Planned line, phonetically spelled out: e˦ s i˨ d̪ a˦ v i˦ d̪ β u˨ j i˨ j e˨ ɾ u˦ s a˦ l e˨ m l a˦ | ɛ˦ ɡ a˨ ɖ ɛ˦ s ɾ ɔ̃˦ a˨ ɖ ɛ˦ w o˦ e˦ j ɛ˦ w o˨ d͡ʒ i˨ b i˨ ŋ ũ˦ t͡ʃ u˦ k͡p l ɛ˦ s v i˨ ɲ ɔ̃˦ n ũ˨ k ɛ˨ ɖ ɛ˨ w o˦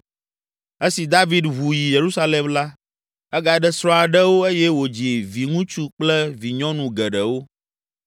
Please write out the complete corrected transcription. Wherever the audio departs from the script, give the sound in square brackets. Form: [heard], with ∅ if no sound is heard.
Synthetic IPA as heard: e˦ s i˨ d̪ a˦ v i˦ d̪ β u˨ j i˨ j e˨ ɾ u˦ s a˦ l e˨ m l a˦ | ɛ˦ ɡ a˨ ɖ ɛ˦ s ɾ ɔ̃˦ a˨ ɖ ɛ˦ w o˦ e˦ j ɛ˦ w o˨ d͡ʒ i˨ [v] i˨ ŋ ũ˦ t͡ʃ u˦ k͡p l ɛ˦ [∅] v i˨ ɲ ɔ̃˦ n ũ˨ [ɡ] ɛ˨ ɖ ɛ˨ w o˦

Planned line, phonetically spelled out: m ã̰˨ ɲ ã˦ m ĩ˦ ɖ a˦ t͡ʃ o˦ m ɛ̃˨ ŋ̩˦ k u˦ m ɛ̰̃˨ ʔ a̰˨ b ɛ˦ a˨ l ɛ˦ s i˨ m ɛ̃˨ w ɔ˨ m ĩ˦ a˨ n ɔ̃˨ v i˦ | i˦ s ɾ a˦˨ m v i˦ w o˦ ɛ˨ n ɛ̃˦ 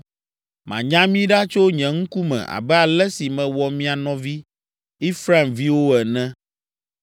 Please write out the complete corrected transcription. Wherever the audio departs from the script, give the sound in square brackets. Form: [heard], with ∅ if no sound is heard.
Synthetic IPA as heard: m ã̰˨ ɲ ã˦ m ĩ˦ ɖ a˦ t͡ʃ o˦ [ɲ] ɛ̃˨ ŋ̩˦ k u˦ m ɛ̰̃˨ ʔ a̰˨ b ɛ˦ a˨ l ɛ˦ s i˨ m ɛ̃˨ w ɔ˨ m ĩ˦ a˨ n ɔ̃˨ v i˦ | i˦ [f] ɾ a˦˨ m v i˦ w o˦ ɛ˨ n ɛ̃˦

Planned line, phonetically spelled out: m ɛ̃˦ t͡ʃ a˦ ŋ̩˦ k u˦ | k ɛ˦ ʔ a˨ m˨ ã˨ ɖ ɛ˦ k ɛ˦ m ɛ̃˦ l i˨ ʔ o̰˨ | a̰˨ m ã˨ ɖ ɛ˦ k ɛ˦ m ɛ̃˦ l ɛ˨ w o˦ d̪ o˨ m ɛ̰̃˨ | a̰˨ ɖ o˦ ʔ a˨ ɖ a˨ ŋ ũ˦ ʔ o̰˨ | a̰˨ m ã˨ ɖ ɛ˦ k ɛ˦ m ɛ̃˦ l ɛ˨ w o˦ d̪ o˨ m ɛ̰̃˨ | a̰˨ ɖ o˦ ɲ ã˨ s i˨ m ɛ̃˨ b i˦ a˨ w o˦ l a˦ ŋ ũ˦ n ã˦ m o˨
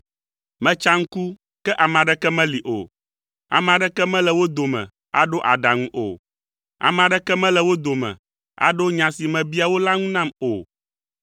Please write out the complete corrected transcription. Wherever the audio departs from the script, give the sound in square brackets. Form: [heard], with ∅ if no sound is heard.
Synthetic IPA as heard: m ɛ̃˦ t͡ʃ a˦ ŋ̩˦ k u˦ | k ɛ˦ ʔ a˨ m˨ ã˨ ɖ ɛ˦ k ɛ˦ m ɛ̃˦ l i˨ ʔ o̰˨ | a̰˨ m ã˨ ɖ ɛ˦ k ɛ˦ m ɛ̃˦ l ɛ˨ w o˦ d̪ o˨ m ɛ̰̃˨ | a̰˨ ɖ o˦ ʔ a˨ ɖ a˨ ŋ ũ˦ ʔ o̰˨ | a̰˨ m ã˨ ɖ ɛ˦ k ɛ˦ m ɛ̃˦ l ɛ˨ w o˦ d̪ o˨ m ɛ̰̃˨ | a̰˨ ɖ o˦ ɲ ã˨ s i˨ m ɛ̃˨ b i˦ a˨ w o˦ l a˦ ŋ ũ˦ n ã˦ m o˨

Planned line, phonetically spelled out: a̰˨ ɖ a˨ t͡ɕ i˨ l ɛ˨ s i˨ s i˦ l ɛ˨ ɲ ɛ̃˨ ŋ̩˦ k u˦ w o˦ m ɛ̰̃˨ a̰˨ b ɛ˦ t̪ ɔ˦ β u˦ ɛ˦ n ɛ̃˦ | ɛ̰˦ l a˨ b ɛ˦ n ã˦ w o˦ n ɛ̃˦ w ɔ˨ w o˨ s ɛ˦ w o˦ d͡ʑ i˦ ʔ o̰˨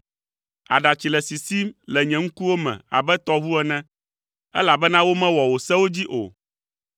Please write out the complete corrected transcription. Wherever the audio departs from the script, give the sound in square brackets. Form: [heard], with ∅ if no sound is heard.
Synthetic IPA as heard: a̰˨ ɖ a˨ t͡ɕ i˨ l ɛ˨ s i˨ s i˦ l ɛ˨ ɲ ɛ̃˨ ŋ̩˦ k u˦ w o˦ m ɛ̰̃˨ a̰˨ b ɛ˦ t̪ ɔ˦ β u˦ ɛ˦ n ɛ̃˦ | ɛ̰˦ l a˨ b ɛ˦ n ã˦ w o˦ [m] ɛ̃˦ w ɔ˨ w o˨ s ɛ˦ w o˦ d͡ʑ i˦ ʔ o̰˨

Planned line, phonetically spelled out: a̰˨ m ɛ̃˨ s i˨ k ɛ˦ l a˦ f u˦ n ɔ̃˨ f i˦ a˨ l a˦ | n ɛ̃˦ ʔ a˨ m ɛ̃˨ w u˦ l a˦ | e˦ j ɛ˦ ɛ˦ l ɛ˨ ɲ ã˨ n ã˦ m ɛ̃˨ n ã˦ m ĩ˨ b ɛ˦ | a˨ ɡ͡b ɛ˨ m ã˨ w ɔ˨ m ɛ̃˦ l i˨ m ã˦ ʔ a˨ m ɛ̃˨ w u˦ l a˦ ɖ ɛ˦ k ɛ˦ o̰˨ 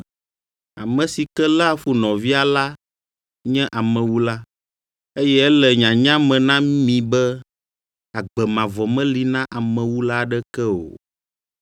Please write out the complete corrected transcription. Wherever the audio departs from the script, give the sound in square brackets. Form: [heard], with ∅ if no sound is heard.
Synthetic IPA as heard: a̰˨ m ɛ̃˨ s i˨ k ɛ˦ l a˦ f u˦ n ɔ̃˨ [v] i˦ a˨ l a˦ | [ɲ] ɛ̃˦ ʔ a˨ m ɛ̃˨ w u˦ l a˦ | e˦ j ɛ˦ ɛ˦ l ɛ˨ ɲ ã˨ [ɲ] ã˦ m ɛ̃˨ n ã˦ m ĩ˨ b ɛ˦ | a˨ ɡ͡b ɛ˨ m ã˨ [v] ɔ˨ m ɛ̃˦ l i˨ [n] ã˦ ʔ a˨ m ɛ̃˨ w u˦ l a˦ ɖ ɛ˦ k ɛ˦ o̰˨

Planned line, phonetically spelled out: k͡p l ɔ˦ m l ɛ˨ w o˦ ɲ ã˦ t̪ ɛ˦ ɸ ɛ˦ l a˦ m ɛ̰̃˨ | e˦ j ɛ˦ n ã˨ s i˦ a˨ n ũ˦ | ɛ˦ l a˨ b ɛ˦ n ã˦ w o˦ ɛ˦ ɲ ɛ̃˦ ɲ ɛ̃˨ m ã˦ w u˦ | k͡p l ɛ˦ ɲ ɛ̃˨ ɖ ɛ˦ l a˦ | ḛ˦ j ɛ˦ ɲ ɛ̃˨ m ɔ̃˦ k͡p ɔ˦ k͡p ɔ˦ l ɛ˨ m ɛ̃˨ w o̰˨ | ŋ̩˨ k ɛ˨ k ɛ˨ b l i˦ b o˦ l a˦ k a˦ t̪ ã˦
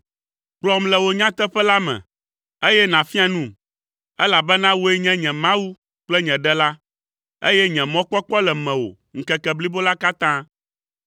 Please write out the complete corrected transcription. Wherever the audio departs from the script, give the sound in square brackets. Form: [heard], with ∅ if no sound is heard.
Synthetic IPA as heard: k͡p l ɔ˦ m l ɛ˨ w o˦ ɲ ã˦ t̪ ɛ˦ ɸ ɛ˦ l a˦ m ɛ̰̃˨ | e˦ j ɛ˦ n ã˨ [f] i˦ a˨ n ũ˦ | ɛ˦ l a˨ b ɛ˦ n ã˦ w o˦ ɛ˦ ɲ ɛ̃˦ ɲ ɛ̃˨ m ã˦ w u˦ | k͡p l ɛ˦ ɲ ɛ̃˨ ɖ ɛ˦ l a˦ | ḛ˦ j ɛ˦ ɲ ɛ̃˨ m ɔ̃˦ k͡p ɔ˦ k͡p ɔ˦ l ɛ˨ m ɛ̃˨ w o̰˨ | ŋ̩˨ k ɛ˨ k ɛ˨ b l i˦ b o˦ l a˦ k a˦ t̪ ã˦

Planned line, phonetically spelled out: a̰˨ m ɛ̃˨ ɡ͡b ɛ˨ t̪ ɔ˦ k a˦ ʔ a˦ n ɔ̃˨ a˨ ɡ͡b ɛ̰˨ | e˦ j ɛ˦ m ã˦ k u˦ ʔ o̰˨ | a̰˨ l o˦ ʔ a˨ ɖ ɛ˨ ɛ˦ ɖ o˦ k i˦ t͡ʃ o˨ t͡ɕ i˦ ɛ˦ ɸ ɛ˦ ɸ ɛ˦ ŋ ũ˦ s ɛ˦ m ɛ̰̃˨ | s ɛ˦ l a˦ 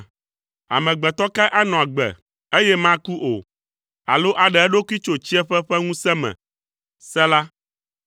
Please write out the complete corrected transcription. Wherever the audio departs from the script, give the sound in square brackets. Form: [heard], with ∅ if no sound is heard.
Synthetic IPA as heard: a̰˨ m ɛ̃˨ ɡ͡b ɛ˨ t̪ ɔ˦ k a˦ ʔ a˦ n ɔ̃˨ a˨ ɡ͡b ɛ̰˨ | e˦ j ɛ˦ m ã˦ k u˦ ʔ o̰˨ | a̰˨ l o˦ ʔ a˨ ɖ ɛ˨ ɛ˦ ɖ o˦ k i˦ t͡ʃ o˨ t͡ɕ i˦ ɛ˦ ɸ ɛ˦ ɸ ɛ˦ ŋ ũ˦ s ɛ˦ m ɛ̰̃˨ | s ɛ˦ l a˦

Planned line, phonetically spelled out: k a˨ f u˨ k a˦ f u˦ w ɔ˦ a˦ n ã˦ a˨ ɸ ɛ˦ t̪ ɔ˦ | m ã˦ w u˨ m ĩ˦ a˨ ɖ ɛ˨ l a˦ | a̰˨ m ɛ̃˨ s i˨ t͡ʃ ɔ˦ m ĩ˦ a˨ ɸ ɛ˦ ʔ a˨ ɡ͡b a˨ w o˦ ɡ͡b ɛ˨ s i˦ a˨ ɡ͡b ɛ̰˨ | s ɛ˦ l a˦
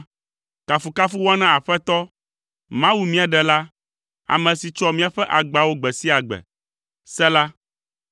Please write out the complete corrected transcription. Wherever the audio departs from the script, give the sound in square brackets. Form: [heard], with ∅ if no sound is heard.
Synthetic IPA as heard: k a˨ f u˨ k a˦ f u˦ w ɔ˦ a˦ n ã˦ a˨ ɸ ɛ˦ t̪ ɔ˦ | m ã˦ w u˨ m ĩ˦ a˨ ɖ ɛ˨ l a˦ | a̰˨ m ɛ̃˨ s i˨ t͡ʃ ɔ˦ m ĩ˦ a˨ ɸ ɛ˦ ʔ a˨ ɡ͡b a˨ w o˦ ɡ͡b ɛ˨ s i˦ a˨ ɡ͡b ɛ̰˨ | s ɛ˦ l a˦

